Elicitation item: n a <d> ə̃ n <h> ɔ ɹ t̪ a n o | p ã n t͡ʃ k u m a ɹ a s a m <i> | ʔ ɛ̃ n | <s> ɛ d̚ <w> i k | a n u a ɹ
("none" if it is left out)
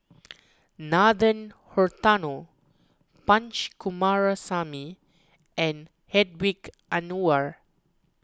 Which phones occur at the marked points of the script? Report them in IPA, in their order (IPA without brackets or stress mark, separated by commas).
d, h, i, h, w